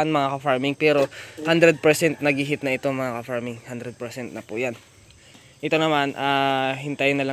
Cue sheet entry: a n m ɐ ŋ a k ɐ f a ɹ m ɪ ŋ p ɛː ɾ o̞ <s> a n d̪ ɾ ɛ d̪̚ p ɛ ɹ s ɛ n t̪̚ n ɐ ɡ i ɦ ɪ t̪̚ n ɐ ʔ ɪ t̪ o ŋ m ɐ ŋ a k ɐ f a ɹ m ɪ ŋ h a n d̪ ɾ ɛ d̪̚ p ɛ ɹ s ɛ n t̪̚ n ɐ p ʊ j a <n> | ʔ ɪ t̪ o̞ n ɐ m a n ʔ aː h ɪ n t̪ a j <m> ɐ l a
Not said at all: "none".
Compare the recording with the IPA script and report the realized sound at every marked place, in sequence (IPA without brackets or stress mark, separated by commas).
h, n, n